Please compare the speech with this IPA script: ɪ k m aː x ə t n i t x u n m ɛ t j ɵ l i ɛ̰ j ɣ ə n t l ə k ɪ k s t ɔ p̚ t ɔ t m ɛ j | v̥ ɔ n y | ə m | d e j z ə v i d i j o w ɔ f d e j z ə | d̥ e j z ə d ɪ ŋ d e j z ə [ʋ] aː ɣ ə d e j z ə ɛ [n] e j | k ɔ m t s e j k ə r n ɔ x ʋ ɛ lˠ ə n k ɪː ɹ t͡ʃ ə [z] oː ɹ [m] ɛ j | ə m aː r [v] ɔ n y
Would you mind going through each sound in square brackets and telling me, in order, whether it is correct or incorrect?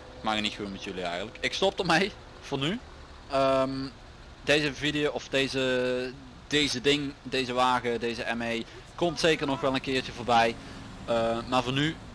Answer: correct, incorrect, incorrect, incorrect, correct

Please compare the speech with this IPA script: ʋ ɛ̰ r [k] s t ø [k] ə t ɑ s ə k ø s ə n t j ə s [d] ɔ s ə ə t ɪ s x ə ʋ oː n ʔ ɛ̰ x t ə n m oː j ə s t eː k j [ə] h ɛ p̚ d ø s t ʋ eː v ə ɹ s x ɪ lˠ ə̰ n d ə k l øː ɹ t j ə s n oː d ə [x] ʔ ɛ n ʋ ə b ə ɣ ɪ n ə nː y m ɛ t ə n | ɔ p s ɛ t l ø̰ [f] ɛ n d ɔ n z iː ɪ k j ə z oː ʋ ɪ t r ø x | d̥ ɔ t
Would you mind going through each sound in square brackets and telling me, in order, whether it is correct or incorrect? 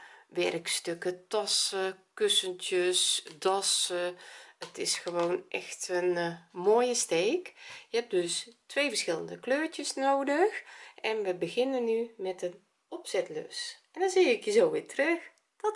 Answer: correct, correct, correct, correct, correct, incorrect

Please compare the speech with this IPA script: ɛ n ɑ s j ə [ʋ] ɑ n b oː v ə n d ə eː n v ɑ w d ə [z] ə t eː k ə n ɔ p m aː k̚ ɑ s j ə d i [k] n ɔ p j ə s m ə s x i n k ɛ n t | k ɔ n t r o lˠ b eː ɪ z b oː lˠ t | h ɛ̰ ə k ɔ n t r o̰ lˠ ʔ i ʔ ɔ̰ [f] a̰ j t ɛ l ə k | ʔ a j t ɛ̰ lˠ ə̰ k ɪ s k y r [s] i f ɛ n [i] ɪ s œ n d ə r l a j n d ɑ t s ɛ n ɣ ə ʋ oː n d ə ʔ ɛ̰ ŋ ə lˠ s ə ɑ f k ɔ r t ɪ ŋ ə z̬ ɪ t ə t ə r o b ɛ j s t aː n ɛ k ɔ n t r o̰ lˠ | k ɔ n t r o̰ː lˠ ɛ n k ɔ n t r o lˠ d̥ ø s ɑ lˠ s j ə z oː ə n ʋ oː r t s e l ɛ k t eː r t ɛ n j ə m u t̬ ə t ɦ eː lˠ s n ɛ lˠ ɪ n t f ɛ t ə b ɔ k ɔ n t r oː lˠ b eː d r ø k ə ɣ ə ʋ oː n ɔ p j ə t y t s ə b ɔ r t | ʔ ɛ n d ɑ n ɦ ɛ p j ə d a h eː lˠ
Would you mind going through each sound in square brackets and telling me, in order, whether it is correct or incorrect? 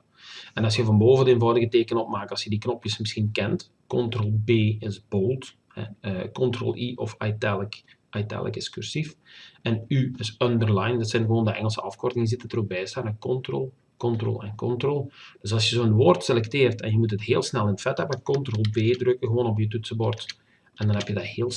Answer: incorrect, incorrect, correct, correct, correct, incorrect

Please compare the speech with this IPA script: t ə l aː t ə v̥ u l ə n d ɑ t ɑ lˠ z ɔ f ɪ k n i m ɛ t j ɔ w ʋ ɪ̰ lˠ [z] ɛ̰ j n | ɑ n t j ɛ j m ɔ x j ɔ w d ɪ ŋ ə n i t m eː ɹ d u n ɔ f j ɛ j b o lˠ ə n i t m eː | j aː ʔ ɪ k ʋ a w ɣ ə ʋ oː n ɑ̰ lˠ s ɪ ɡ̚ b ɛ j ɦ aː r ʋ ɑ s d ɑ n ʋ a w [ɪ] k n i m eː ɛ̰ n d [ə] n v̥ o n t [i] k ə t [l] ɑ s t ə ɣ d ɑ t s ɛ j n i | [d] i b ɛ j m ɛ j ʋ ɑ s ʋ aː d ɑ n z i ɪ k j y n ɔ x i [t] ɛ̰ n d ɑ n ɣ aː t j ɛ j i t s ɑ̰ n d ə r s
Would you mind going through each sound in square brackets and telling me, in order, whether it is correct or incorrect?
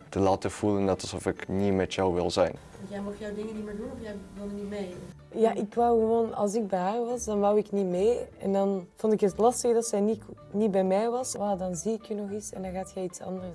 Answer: correct, correct, incorrect, incorrect, correct, incorrect, incorrect

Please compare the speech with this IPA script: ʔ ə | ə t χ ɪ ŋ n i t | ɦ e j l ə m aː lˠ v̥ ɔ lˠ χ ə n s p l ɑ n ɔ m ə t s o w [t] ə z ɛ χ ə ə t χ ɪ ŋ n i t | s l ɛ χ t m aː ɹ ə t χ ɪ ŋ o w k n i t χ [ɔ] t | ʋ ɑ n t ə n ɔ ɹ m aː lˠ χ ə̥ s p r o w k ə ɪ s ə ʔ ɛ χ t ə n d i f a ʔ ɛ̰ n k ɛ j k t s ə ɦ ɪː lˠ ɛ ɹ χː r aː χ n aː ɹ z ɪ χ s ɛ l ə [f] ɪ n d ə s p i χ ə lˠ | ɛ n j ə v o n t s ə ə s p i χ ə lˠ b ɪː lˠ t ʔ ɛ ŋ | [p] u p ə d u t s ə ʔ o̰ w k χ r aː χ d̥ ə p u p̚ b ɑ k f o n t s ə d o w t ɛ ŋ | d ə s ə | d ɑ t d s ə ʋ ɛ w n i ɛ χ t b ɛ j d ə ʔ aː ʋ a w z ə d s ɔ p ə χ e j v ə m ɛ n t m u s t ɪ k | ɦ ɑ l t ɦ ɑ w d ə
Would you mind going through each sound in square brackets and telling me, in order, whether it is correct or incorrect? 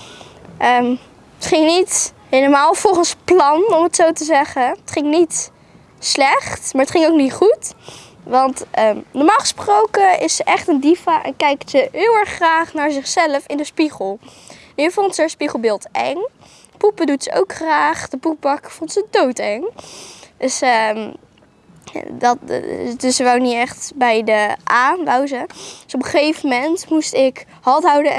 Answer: correct, incorrect, correct, correct

